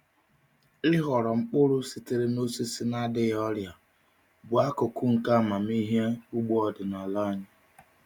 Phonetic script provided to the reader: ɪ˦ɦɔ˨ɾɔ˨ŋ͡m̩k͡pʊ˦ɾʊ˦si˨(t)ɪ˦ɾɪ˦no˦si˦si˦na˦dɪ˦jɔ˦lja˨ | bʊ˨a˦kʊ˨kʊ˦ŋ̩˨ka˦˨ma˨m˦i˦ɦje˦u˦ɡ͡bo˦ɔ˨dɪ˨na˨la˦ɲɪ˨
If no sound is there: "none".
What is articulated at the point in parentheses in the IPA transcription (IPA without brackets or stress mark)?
t